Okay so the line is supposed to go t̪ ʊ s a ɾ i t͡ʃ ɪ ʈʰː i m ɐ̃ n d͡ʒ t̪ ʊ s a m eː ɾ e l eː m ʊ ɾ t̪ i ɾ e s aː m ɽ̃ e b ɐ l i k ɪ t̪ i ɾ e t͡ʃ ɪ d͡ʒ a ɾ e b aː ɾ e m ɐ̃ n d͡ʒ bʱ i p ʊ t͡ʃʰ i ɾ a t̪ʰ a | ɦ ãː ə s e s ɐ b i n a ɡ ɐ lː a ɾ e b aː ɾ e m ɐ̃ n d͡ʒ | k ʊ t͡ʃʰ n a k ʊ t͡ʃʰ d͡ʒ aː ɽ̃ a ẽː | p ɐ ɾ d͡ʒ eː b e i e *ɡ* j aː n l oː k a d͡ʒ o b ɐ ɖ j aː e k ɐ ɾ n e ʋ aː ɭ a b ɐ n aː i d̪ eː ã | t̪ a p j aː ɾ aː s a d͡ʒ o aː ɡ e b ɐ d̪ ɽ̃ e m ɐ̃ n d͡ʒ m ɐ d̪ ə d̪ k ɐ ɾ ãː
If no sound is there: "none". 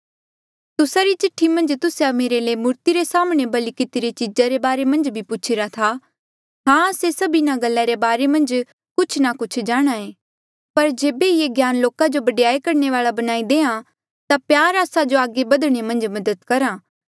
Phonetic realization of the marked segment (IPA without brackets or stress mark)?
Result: ɡ